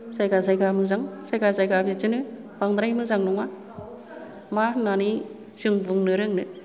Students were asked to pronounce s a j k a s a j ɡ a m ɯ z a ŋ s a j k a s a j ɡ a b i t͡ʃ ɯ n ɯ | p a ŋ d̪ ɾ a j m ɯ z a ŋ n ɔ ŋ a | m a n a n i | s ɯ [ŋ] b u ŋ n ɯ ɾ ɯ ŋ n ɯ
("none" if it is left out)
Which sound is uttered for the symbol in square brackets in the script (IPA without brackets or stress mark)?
ŋ